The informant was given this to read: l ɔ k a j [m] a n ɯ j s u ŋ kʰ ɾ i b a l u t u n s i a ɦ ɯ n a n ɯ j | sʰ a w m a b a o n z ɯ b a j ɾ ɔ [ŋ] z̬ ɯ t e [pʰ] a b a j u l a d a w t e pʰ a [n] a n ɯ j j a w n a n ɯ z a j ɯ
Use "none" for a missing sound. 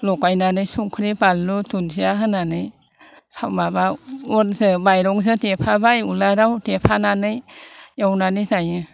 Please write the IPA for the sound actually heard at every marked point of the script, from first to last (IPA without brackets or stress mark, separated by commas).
n, ŋ, pʰ, n